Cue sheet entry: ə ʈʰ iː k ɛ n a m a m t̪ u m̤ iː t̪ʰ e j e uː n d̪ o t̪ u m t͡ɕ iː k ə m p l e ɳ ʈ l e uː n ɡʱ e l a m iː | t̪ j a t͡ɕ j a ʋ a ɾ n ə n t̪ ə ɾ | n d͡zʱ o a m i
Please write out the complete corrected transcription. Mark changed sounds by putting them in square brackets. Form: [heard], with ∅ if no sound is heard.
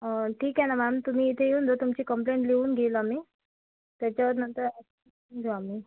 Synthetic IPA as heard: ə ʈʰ iː k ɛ n a m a m t̪ u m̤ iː t̪ʰ e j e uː n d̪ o t̪ u m t͡ɕ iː k ə m p l e ɳ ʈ l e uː n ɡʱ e l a m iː | t̪ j a t͡ɕ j a ʋ [ə] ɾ n ə n t̪ ə ɾ | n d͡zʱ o a m i